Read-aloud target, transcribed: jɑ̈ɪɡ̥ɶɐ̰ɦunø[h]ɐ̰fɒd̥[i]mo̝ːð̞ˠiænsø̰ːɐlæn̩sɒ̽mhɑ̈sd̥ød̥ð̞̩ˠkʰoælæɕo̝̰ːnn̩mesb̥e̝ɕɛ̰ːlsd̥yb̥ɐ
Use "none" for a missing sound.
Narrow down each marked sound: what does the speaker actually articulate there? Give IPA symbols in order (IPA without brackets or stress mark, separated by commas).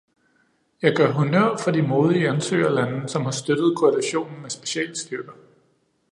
none, i